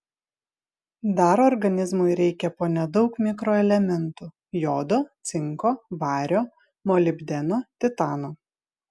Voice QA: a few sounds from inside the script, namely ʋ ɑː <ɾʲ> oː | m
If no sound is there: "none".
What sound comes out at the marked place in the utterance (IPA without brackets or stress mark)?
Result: ɾʲ